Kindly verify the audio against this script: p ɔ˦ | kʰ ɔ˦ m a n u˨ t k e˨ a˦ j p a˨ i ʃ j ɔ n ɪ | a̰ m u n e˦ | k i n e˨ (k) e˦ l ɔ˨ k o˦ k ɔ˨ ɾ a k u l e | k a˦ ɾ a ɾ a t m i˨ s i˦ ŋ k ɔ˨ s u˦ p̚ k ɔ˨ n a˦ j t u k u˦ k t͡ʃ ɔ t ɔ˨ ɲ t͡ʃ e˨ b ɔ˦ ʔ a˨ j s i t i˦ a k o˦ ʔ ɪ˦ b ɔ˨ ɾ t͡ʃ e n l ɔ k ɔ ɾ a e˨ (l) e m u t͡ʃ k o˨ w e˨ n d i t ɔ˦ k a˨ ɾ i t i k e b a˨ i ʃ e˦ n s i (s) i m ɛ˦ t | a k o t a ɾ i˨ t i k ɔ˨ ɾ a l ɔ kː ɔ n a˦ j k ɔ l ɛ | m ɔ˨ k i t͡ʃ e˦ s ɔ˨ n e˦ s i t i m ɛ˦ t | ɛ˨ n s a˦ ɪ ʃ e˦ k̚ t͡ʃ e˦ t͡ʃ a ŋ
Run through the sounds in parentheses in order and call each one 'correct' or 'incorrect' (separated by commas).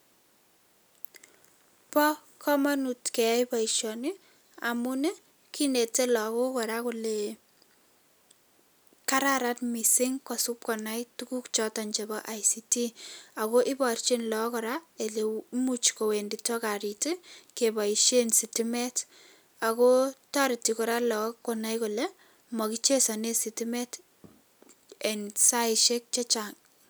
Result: incorrect, correct, incorrect